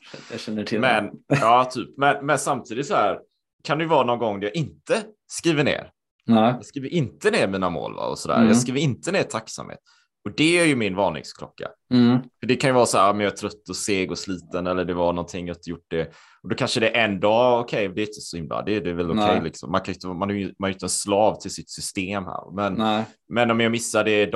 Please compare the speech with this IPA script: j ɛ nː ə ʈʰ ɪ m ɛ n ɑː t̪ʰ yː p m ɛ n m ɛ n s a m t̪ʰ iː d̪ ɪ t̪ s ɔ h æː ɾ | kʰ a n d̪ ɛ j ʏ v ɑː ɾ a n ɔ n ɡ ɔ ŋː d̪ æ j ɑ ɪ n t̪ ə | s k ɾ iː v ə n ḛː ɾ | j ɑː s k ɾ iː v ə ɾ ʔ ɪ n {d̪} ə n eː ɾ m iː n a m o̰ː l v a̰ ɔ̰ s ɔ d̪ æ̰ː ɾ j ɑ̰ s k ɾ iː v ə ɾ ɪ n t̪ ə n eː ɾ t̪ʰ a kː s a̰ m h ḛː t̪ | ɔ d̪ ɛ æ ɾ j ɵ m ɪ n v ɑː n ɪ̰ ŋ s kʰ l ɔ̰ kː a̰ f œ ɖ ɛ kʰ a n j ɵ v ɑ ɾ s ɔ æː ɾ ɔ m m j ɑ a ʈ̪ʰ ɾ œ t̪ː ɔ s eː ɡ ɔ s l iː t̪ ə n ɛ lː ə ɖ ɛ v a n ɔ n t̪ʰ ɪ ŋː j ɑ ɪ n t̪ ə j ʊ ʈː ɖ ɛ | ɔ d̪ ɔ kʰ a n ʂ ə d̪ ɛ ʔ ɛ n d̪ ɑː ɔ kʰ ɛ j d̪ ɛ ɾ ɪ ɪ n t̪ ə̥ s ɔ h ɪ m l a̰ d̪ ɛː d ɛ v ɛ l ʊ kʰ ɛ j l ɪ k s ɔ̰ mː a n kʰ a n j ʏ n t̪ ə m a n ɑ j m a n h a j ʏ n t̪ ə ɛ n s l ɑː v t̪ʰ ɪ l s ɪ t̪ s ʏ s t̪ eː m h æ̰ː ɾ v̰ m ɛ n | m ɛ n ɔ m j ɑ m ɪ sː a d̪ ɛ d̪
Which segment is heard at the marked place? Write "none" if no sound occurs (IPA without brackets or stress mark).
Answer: t̪